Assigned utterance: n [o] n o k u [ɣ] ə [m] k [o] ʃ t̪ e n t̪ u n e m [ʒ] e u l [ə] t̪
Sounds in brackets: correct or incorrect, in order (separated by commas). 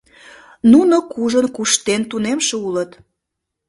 incorrect, incorrect, incorrect, incorrect, incorrect, correct